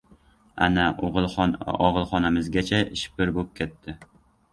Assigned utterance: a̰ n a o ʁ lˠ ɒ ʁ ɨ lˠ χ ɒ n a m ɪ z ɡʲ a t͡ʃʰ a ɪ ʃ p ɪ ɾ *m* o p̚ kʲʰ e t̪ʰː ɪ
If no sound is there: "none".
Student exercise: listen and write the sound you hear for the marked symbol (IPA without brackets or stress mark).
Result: b